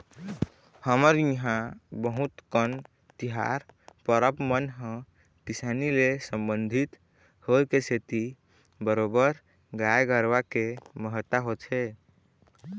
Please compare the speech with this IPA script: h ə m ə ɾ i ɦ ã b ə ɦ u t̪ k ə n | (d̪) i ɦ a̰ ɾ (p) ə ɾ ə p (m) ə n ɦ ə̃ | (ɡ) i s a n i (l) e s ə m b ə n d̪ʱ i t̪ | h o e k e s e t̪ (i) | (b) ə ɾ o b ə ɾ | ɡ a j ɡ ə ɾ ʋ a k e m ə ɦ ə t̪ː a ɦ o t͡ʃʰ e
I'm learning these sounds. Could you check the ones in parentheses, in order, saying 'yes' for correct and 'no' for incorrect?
no, yes, yes, no, yes, yes, yes

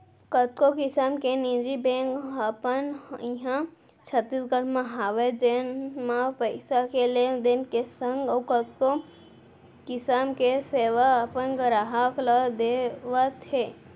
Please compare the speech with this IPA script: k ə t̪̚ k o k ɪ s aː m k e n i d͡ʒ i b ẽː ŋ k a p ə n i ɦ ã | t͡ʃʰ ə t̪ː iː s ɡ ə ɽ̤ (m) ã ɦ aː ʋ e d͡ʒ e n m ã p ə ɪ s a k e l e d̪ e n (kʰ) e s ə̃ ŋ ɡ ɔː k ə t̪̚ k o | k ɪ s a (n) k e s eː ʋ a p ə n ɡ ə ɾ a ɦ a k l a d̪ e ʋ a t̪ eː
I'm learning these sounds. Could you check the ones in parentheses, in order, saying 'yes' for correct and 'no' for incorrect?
yes, no, no

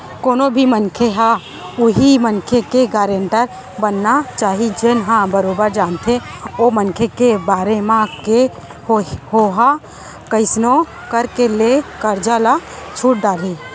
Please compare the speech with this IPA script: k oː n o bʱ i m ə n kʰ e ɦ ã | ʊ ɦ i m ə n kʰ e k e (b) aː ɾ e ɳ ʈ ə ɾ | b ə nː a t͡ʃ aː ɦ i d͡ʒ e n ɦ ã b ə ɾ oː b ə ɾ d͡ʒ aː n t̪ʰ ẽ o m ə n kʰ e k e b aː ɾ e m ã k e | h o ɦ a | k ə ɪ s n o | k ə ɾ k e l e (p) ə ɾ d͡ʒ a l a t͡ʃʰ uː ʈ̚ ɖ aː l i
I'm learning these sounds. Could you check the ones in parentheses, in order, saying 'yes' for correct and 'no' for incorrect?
no, no

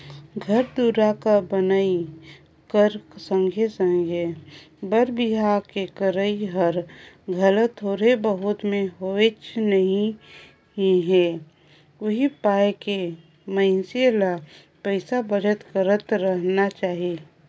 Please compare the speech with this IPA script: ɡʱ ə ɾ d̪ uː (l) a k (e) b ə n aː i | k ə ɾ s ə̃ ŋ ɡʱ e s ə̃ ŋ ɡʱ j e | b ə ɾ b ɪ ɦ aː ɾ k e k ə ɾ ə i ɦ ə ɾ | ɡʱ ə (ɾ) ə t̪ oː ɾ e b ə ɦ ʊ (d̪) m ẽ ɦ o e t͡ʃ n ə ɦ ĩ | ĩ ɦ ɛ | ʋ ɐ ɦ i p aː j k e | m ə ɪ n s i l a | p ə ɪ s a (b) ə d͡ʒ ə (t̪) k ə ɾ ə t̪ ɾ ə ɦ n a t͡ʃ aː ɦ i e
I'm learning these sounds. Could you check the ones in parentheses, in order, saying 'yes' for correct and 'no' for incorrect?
no, no, no, no, yes, yes

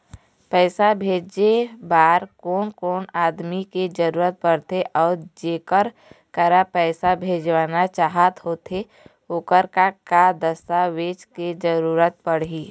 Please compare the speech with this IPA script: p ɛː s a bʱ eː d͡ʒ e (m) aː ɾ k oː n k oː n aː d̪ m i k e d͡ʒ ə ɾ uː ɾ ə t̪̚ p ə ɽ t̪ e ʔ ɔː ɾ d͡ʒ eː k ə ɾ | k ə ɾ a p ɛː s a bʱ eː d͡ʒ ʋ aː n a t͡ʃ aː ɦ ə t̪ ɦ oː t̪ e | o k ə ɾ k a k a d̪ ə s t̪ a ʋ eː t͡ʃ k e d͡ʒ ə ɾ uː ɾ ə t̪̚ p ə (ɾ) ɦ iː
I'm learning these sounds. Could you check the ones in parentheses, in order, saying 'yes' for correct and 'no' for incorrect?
no, no

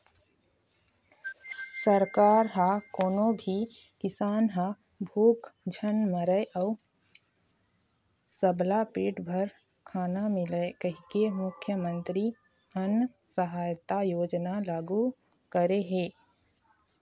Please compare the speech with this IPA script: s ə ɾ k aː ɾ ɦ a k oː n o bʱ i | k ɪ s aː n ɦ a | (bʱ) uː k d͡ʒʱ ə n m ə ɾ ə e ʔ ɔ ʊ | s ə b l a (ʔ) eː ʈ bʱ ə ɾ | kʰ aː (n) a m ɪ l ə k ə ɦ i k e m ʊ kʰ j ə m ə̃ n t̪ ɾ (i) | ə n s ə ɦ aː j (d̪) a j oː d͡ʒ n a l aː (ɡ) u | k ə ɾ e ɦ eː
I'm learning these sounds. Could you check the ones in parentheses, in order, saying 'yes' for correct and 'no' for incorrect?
yes, no, yes, yes, no, yes

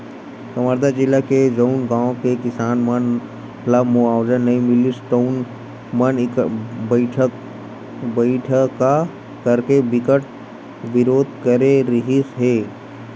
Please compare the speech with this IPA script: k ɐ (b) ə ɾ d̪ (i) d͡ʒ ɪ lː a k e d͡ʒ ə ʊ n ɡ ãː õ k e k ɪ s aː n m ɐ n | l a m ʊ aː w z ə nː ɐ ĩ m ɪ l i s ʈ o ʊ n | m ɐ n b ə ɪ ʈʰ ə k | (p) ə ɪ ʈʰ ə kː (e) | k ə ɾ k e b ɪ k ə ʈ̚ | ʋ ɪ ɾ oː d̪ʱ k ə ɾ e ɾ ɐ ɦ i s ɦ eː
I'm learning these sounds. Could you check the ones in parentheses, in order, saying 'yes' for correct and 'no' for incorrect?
no, no, no, no

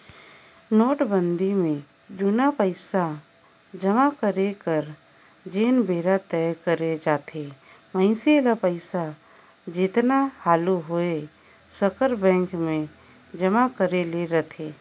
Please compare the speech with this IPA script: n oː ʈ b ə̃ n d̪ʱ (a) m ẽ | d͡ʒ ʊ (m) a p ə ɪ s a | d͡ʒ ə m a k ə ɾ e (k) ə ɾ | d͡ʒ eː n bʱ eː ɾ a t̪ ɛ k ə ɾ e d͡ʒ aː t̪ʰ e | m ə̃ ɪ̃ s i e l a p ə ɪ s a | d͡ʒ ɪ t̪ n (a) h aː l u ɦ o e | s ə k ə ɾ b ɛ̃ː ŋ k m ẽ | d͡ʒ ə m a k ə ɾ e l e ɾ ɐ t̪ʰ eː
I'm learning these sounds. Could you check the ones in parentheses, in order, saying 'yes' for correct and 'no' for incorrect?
no, no, yes, yes

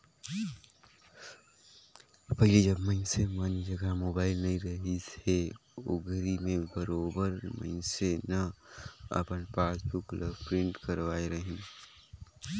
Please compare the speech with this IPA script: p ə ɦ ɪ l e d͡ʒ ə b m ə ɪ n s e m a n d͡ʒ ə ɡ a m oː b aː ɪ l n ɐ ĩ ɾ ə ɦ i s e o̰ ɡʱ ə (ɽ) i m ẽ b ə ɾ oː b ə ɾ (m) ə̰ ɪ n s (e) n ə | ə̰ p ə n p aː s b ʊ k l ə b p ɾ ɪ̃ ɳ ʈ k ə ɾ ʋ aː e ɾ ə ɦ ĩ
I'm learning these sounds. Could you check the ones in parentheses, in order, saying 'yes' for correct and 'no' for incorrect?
no, yes, yes

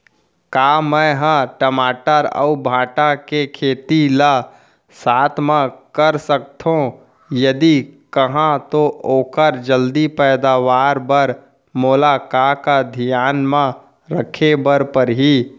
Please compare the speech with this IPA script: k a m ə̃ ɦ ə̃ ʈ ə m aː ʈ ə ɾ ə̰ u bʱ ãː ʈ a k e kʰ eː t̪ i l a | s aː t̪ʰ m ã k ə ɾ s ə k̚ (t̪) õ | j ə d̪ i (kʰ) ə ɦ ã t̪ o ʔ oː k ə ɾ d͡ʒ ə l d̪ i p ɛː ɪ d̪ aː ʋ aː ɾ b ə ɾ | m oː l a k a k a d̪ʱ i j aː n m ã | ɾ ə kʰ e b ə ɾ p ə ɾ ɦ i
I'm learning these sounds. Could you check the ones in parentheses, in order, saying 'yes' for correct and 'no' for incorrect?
no, no

